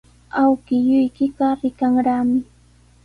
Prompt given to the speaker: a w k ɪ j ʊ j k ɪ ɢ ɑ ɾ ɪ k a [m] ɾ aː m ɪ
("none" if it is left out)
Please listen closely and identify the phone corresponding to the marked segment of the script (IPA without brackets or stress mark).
ŋ